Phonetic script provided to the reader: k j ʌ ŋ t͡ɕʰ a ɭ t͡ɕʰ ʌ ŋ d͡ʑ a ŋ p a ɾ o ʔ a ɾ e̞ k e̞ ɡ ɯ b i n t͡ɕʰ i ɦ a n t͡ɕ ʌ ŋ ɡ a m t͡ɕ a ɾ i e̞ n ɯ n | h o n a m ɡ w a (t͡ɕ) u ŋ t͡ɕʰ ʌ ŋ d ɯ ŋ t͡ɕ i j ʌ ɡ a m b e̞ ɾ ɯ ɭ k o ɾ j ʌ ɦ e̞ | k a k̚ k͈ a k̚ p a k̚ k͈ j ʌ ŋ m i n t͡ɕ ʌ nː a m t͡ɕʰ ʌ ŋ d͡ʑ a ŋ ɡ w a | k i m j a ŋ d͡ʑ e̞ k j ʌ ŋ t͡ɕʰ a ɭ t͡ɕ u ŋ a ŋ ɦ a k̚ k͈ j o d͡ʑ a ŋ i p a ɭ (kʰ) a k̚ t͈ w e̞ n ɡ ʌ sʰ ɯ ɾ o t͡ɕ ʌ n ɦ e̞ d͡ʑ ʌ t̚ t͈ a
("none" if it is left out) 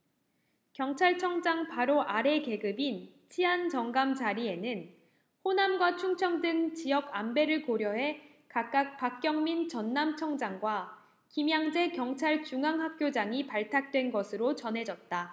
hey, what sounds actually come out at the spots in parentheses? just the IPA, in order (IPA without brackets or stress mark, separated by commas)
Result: t͡ɕʰ, tʰ